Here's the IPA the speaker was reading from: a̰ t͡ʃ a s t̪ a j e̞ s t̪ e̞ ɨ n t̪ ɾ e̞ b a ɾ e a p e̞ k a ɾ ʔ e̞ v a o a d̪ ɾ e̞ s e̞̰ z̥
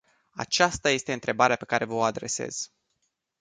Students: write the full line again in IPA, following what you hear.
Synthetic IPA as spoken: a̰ t͡ʃ a s t̪ a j e̞ s t̪ e̞ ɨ n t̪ ɾ e̞ b a ɾ e a p e̞ k a ɾ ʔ e̞ v ə o a d̪ ɾ e̞ s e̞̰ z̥